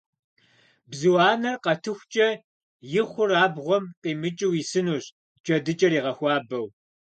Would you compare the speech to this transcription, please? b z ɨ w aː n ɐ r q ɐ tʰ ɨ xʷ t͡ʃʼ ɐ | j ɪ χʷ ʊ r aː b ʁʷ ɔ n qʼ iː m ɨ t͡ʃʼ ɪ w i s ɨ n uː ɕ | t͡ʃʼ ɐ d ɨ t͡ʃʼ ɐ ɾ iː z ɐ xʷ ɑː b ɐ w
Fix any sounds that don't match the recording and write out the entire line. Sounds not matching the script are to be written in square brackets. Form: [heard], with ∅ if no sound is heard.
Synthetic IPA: b z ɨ w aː n ɐ r q ɐ tʰ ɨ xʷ t͡ʃʼ ɐ | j ɪ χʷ ʊ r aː b ʁʷ ɔ [m] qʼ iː m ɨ t͡ʃʼ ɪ w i s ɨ n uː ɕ | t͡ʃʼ ɐ d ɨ t͡ʃʼ ɐ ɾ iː [ʁ] ɐ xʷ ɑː b ɐ w

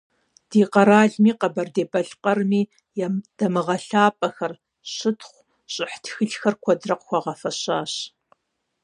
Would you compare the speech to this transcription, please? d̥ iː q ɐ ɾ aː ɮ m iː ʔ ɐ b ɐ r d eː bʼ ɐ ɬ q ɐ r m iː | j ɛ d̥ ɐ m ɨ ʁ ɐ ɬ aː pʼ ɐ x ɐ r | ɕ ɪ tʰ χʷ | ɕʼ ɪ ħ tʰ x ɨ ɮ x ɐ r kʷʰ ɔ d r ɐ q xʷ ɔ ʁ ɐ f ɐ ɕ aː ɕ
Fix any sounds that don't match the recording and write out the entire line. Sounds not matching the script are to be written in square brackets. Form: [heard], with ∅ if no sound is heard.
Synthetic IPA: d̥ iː q ɐ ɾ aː ɮ m iː [q] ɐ b ɐ r d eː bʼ ɐ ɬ q ɐ r m iː | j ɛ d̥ ɐ m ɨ ʁ ɐ ɬ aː pʼ ɐ x ɐ r | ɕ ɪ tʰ χʷ | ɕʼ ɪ ħ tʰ x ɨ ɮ x ɐ r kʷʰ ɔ d r ɐ q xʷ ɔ ʁ ɐ f ɐ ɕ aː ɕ

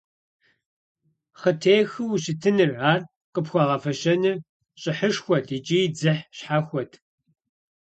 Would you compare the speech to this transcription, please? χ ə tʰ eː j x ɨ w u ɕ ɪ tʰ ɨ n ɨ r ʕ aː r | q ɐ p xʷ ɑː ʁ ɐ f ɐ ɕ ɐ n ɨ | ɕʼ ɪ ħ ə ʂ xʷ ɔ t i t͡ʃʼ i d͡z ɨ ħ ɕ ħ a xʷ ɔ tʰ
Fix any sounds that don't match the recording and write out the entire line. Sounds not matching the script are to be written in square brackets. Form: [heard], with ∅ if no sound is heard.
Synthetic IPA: χ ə tʰ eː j x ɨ w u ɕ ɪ tʰ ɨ n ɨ r ʕ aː r | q [ə] p xʷ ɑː ʁ ɐ f ɐ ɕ ɐ n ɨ | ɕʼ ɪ ħ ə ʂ xʷ ɔ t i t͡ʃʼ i d͡z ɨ ħ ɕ ħ a xʷ ɔ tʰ

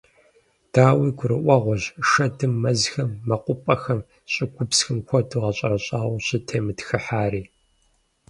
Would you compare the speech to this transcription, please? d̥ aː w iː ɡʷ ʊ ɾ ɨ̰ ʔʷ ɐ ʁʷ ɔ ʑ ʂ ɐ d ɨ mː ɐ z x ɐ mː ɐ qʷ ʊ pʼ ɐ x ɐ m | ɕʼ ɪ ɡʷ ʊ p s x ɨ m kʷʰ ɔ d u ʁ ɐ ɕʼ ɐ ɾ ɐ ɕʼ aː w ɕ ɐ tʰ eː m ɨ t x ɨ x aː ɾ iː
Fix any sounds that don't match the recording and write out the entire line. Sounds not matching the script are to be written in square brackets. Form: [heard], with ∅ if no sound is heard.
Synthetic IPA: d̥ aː w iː ɡʷ ʊ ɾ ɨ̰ ʔʷ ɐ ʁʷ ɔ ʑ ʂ ɐ d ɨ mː ɐ z x ɐ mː ɐ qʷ ʊ pʼ ɐ x ɐ m | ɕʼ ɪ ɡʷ ʊ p s x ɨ m kʷʰ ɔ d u ʁ ɐ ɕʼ ɐ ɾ ɐ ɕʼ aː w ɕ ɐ tʰ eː m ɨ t x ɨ [ħ] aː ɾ iː

